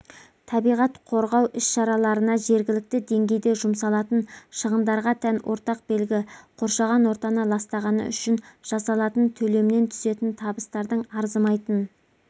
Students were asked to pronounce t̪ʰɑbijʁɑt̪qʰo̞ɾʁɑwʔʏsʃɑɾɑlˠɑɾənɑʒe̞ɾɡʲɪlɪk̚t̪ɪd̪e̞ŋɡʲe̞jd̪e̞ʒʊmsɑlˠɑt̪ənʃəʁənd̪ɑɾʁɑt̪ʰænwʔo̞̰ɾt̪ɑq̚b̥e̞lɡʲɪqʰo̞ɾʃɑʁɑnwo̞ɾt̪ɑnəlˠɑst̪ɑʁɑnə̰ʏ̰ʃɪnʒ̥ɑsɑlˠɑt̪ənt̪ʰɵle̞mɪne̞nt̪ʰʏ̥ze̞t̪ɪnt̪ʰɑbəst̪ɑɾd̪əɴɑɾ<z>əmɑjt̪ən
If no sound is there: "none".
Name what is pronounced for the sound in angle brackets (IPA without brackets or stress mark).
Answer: z